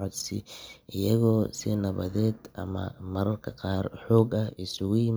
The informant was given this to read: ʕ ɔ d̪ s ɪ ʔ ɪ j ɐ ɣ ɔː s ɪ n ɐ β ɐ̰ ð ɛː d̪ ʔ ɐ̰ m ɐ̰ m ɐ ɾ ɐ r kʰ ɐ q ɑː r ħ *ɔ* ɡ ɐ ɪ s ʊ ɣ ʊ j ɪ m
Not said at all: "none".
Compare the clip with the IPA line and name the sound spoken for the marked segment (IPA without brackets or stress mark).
ɔː